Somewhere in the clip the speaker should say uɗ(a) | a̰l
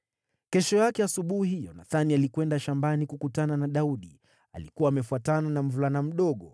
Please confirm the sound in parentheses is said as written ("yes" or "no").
no